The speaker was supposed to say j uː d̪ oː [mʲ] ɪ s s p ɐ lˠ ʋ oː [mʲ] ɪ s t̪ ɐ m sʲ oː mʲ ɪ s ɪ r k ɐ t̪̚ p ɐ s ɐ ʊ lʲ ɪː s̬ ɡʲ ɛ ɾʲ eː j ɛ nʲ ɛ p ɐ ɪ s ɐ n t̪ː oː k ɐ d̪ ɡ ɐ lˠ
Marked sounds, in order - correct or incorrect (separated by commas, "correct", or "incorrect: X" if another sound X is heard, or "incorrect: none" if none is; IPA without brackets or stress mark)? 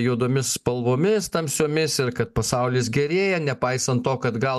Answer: correct, correct